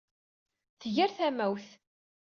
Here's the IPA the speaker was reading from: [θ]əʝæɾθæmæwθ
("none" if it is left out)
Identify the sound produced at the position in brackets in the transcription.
θ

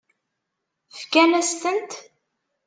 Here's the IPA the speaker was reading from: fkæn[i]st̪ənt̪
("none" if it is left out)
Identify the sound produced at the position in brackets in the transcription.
æ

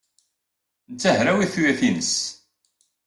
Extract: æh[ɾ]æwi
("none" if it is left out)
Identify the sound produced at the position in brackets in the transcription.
ɾ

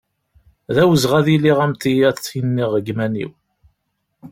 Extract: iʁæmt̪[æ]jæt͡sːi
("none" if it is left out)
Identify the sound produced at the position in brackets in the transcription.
i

